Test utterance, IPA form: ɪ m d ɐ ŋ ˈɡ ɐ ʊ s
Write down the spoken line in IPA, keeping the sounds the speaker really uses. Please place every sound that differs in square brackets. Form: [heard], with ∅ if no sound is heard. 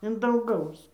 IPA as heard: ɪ [n] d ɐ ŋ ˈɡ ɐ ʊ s